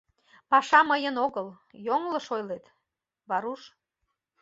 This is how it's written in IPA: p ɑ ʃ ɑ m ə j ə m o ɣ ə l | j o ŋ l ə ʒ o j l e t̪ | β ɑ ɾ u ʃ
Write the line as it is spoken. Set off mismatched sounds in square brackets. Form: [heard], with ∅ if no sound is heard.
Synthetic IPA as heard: p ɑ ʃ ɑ m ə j ə [n] o ɣ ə l | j o ŋ l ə [ʃ] o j l e t̪ | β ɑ ɾ u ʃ